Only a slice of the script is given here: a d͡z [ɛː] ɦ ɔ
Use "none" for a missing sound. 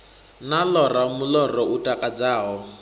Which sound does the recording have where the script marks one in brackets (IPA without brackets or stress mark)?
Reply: aː